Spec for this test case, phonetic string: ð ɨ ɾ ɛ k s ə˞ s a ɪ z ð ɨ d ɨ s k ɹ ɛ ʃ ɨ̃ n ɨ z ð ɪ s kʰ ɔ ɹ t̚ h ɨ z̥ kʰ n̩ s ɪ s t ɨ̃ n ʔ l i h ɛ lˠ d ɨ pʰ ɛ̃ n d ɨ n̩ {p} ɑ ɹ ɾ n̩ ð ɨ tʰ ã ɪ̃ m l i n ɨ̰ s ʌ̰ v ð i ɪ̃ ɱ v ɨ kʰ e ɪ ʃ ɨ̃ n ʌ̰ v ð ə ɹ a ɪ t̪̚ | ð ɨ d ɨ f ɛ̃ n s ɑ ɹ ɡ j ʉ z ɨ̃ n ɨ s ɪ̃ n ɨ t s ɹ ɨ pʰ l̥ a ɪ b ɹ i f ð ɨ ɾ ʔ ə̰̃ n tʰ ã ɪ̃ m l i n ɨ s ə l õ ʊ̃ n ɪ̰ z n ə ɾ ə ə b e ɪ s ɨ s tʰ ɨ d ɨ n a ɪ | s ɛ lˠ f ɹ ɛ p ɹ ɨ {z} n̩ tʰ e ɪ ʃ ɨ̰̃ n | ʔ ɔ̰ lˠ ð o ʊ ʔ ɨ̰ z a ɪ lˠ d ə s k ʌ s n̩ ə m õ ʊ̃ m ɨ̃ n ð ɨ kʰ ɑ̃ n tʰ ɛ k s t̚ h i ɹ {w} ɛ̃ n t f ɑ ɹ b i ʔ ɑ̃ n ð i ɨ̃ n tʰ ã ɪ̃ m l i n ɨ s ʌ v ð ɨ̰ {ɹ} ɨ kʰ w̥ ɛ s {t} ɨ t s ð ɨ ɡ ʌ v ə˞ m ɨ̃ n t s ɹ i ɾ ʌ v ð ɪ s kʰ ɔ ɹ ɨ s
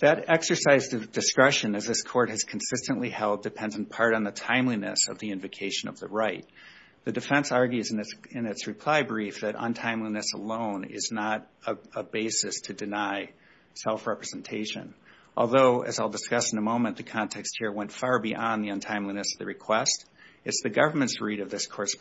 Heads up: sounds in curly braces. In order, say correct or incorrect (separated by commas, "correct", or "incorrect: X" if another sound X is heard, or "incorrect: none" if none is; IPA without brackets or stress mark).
incorrect: pʰ, correct, correct, correct, correct